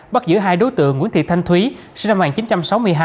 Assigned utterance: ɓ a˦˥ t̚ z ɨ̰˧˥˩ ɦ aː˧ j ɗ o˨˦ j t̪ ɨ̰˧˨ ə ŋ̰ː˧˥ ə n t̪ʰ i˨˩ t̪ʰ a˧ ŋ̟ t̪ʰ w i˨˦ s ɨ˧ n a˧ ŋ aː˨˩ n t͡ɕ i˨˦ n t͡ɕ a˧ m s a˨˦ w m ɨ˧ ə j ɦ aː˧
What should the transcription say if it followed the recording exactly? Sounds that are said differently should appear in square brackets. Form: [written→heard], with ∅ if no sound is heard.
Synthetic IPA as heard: ɓ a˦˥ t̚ z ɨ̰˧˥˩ ɦ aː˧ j ɗ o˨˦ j t̪ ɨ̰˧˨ ə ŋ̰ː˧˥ ə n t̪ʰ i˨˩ t̪ʰ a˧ ŋ̟ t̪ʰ w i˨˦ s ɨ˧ n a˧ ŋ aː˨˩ n t͡ɕ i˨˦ n t͡ɕ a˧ m s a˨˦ w m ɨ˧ ə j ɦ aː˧